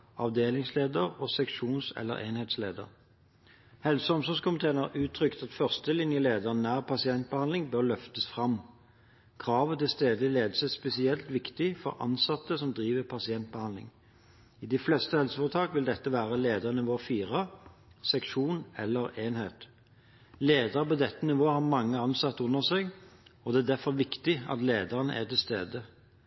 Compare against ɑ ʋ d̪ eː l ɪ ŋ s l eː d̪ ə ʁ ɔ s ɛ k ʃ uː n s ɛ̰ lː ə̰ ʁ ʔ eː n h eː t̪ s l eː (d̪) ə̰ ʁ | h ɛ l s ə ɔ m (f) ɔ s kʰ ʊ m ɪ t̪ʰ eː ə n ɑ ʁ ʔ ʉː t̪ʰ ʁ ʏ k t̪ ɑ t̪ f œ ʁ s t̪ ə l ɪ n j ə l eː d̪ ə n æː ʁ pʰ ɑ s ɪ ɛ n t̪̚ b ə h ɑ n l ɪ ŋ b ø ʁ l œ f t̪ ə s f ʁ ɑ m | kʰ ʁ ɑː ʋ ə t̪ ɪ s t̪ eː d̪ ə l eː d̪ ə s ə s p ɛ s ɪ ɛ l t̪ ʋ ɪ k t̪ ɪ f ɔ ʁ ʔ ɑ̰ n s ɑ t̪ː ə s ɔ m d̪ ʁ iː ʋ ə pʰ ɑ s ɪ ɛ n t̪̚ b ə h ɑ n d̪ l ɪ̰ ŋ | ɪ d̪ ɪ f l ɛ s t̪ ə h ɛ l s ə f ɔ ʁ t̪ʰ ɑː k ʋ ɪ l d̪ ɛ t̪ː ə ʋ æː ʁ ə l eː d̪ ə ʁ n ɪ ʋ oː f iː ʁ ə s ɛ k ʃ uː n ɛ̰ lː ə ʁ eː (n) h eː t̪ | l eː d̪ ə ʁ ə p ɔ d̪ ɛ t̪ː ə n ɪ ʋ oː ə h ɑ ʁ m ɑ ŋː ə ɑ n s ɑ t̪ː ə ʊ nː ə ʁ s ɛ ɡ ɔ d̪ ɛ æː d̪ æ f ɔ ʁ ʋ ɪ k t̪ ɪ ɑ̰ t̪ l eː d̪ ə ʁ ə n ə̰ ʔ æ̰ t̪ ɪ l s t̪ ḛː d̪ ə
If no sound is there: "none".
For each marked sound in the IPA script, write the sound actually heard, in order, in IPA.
d̪, s, n

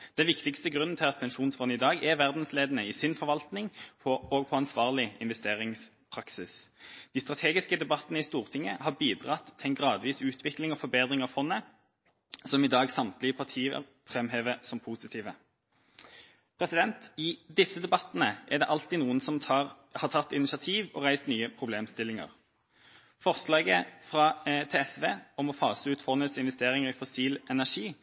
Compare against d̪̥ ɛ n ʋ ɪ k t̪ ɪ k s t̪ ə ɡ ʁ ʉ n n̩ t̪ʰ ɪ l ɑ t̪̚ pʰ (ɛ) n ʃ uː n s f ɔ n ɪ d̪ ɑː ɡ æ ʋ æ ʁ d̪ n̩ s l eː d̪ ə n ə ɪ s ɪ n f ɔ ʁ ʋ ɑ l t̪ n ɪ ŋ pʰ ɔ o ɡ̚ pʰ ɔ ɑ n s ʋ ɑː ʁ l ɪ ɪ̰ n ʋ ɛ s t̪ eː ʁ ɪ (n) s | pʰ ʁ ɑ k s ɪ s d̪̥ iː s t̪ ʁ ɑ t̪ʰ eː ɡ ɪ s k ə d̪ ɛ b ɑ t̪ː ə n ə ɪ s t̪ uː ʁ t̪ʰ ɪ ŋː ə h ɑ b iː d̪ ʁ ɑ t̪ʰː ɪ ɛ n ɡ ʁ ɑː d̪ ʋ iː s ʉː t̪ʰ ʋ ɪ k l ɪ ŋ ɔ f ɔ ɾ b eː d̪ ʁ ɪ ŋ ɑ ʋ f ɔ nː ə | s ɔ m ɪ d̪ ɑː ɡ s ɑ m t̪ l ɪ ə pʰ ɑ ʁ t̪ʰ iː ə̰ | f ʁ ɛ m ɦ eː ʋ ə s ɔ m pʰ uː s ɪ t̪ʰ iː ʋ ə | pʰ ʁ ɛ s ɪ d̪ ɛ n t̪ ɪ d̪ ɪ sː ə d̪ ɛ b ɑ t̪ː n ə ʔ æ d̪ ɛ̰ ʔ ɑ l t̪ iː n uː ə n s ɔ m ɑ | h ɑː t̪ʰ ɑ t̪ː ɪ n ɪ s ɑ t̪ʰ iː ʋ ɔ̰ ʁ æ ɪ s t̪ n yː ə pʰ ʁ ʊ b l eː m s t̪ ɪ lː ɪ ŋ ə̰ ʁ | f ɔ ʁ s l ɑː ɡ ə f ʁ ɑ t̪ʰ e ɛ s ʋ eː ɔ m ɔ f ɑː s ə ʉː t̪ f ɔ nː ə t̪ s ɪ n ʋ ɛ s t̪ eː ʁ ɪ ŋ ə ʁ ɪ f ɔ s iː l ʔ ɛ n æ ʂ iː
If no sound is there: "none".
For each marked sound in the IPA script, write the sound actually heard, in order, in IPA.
ɛ, ŋ

